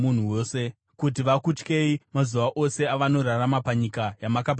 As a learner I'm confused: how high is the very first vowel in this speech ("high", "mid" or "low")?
high